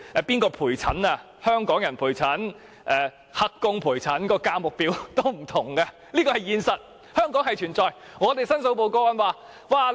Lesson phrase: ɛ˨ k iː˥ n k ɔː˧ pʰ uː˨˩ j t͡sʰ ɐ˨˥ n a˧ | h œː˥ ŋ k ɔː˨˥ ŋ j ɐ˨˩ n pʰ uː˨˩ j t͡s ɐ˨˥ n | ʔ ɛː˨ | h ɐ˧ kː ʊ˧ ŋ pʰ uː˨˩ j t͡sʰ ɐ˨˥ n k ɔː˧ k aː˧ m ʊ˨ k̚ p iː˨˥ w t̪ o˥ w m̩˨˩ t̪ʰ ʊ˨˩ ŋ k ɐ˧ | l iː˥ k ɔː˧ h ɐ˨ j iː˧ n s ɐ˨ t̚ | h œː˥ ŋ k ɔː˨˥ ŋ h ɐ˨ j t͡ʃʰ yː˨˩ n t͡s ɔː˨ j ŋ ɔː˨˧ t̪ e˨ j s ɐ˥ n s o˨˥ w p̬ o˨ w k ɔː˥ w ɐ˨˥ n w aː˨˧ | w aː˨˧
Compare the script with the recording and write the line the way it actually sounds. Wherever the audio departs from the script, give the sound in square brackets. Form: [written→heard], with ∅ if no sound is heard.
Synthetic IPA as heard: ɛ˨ [k→p] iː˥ n k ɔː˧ pʰ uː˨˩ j t͡sʰ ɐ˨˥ n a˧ | h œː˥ ŋ k ɔː˨˥ ŋ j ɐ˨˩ n pʰ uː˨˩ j [t͡s→t͡sʰ] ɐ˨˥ n | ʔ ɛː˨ | h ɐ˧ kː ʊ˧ ŋ pʰ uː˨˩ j t͡sʰ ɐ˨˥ n k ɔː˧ k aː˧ m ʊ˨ k̚ p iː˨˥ w t̪ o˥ w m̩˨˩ t̪ʰ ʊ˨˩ ŋ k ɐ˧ | l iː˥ k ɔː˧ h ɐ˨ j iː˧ n s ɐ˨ t̚ | h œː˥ ŋ k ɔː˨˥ ŋ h ɐ˨ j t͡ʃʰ yː˨˩ n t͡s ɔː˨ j ŋ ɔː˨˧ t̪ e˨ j s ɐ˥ n s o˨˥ w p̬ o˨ w k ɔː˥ w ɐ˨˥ n w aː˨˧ | w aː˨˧